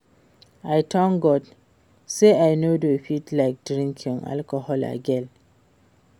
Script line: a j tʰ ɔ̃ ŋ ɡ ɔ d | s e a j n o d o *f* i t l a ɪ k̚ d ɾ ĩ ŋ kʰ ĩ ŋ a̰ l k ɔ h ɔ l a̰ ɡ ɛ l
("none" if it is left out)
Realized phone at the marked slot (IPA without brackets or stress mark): f